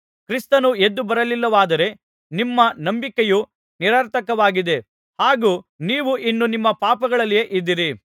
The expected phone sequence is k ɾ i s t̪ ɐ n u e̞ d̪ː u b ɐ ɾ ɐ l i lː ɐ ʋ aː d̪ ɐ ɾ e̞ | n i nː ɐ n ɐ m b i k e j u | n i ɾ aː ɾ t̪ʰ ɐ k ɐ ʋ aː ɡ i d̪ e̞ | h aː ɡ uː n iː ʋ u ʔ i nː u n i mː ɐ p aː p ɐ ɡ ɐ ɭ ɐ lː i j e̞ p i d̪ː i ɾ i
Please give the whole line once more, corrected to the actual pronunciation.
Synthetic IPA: k ɾ i s t̪ ɐ n u e̞ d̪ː u b ɐ ɾ ɐ l i lː ɐ ʋ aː d̪ ɐ ɾ e̞ | n i mː ɐ n ɐ m b i k e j u | n i ɾ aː ɾ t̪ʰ ɐ k ɐ ʋ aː ɡ i d̪ e̞ | h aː ɡ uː n iː ʋ u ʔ i nː u n i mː ɐ p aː p ɐ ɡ ɐ ɭ ɐ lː i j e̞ ʔ i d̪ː i ɾ i